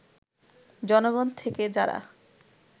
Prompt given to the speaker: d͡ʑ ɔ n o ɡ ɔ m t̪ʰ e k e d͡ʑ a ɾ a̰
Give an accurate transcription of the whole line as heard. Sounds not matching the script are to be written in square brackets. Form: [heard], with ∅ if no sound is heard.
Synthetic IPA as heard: d͡ʑ ɔ n o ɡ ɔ [n] t̪ʰ e k e d͡ʑ a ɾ a̰